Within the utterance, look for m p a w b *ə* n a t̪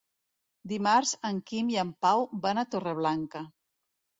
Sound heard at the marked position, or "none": a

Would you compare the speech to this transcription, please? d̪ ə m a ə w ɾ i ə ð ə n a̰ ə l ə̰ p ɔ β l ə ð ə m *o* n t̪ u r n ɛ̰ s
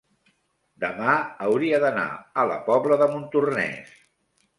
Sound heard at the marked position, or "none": u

